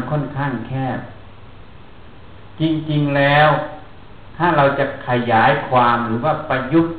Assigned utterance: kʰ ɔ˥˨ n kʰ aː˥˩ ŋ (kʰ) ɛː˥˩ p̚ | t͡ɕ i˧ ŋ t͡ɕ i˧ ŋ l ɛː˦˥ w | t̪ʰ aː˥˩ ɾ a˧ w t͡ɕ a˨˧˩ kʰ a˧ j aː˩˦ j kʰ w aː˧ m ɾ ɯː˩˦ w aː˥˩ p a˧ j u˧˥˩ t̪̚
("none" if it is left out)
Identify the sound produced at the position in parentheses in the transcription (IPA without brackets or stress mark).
kʰ